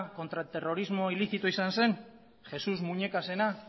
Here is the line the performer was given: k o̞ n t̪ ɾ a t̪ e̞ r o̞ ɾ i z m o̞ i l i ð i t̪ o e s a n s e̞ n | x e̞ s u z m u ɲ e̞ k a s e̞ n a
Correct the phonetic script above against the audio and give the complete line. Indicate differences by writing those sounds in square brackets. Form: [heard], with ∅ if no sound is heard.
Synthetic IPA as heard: k o̞ n t̪ ɾ a t̪ e̞ r o̞ ɾ i z m o̞ i l i [θ] i t̪ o [i] s a n s e̞ n | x e̞ s u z m u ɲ e̞ k a s e̞ n a